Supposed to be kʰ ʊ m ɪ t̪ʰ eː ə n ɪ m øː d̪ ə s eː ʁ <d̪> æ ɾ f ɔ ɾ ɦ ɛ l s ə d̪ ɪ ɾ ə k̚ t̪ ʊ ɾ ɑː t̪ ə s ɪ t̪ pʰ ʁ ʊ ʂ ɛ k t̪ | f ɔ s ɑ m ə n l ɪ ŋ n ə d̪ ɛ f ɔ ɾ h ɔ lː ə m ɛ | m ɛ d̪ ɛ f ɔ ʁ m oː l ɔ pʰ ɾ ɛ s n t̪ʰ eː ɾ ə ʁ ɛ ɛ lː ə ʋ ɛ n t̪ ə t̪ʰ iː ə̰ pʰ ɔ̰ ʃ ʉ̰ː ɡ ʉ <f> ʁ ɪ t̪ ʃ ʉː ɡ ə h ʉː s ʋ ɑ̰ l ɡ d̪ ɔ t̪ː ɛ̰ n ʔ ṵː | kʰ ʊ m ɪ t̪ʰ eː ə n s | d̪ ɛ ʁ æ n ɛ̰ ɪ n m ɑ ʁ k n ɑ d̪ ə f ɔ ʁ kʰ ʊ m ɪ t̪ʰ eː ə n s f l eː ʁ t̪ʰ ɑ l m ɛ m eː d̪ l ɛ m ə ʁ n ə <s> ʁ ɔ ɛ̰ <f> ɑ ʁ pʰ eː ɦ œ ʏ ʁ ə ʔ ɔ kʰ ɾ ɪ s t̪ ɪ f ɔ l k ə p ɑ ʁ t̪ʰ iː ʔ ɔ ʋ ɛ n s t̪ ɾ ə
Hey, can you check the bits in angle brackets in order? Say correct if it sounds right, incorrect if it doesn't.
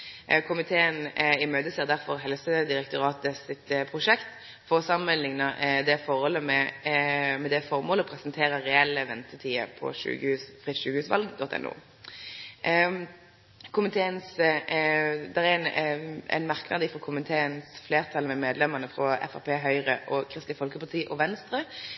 correct, correct, incorrect: f, correct

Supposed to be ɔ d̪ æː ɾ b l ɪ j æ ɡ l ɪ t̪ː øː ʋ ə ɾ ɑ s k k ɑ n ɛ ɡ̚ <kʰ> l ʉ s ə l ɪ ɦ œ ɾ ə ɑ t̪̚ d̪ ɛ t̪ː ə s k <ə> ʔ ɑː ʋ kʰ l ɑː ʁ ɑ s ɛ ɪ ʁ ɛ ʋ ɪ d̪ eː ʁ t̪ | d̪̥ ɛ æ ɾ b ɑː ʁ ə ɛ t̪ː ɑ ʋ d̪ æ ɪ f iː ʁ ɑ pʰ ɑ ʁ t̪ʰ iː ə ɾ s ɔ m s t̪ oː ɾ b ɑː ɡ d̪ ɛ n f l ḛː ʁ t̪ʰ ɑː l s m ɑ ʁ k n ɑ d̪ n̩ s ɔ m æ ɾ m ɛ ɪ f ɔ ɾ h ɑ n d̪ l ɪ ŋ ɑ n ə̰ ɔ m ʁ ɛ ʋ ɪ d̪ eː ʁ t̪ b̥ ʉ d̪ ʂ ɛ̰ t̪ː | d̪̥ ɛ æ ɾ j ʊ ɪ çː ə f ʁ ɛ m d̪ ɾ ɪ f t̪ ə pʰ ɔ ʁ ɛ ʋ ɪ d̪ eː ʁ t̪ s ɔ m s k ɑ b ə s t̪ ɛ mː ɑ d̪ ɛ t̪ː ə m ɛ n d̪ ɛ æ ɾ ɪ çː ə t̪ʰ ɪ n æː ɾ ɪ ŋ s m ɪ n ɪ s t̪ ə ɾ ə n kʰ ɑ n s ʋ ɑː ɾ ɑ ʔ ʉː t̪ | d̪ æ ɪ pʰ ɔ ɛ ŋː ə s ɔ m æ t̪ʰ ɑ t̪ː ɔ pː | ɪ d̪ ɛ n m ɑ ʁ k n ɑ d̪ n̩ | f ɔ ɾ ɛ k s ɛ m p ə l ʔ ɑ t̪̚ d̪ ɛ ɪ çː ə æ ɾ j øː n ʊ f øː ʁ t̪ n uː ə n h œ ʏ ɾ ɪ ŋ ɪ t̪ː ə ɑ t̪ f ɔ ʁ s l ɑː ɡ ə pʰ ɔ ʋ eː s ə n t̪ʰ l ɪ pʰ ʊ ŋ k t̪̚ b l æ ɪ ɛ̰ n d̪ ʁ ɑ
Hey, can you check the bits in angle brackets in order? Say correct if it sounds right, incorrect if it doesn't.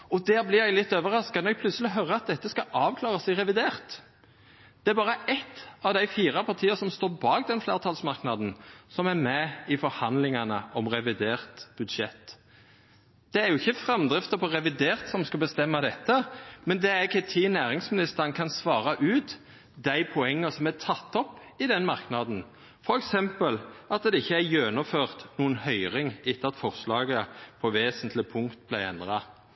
incorrect: pʰ, incorrect: ɑ

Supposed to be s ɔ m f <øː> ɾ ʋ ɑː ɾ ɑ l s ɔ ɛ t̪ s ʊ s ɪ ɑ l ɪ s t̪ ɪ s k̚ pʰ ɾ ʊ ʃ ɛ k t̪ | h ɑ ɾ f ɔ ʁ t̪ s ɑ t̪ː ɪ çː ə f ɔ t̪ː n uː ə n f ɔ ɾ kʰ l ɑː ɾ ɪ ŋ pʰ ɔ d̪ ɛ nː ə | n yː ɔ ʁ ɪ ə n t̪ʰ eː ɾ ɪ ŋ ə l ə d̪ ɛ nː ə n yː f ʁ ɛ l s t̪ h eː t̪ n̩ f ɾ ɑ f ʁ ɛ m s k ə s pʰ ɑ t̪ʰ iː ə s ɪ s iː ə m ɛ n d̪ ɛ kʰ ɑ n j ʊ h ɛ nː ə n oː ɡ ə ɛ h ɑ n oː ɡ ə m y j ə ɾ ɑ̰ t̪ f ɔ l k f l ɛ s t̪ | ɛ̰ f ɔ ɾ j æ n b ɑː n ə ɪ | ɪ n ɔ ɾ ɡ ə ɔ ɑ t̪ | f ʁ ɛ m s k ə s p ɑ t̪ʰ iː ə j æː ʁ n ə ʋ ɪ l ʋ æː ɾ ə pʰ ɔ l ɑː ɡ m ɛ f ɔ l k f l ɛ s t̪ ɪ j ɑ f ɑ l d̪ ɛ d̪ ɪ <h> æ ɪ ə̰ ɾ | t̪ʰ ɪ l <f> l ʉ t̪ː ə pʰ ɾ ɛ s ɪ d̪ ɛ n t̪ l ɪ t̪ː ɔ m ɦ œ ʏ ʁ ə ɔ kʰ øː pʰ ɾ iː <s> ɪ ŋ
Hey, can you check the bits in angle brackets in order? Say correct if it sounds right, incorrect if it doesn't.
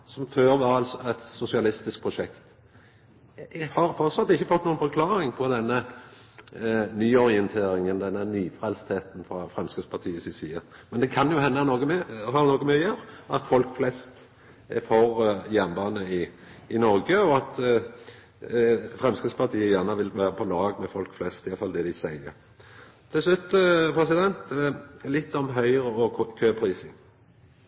correct, incorrect: s, incorrect: s, correct

